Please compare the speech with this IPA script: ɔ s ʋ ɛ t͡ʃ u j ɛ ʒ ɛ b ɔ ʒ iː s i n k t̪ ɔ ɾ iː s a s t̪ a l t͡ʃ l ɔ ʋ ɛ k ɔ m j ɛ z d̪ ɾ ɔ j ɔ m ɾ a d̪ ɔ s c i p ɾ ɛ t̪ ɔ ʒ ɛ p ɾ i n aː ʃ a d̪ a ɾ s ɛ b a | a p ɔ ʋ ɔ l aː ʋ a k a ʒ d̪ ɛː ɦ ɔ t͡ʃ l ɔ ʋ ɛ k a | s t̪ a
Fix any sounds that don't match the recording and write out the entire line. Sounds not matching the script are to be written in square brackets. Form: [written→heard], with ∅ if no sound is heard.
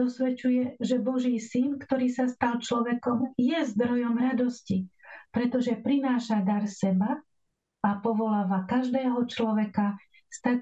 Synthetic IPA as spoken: ɔ s ʋ ɛ t͡ʃ u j ɛ ʒ ɛ b ɔ ʒ iː s i n k t̪ ɔ ɾ iː s a s t̪ a l t͡ʃ l ɔ ʋ ɛ k ɔ m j ɛ z d̪ ɾ ɔ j ɔ m ɾ a d̪ ɔ s c i p ɾ ɛ t̪ ɔ ʒ ɛ p ɾ i n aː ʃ a d̪ a ɾ s ɛ b a | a p ɔ ʋ ɔ l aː ʋ a k a ʒ d̪ ɛː ɦ ɔ t͡ʃ l ɔ ʋ ɛ k a | s t̪ a